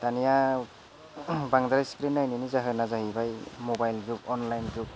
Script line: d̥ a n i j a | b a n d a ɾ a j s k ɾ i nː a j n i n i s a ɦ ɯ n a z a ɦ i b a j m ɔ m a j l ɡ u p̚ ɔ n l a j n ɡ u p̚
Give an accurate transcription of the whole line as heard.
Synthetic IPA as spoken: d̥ a n i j a | b a ŋ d a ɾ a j s k ɾ i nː a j n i n i z a ɦ ɯ n a z a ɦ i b a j m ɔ b a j l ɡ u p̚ ɔ n l a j n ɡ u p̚